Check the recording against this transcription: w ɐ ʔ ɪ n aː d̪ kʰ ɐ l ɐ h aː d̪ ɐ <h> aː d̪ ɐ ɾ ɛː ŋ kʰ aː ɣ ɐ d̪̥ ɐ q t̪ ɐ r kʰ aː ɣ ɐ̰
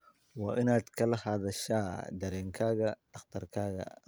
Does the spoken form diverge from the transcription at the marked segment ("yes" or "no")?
yes